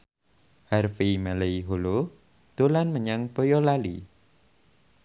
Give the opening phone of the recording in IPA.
h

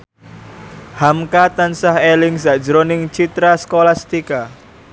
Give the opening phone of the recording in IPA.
h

